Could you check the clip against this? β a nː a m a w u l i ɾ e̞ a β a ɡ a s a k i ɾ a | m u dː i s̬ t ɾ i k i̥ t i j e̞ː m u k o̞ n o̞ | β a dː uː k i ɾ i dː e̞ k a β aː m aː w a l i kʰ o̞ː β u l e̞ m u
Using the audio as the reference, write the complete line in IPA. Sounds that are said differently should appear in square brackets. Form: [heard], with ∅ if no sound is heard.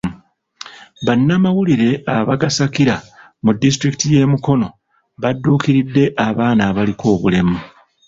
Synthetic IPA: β a nː a m a w u l i ɾ e̞ a β a ɡ a s a k i ɾ a | m u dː i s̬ t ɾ i k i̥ t i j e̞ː m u k o̞ n o̞ | β a dː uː k i ɾ i dː e̞ [ʔ] a β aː [n] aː [β] a l i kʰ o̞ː β u l e̞ m u